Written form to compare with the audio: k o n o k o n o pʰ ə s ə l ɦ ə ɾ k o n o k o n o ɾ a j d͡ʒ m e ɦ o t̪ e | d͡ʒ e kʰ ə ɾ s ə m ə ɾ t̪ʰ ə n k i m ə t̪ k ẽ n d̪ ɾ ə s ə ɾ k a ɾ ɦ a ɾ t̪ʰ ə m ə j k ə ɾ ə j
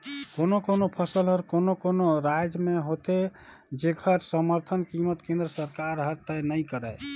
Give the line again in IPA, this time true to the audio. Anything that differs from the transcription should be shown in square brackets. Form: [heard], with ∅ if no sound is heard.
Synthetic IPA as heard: k o n o k o n o pʰ ə s ə l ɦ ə ɾ k o n o k o n o ɾ a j d͡ʒ m e ɦ o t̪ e | d͡ʒ e kʰ ə ɾ s ə m ə ɾ t̪ʰ ə n k i m ə t̪ k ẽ n d̪ ɾ ə s ə ɾ k a ɾ ɦ [ə] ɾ [t̪] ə [n] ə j k ə ɾ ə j